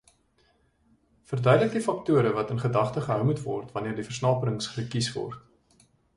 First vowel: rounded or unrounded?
unrounded